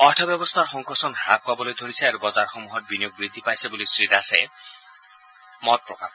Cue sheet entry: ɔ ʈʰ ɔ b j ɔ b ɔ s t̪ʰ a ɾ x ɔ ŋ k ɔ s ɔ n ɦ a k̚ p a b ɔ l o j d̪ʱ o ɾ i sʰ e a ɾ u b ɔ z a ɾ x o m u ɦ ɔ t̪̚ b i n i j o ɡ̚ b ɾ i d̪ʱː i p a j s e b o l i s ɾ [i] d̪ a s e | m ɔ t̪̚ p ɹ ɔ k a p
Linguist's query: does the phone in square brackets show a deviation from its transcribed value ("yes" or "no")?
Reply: no